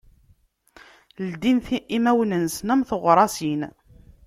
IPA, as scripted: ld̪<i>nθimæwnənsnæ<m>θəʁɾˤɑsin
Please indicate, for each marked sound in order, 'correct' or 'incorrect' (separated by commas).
correct, correct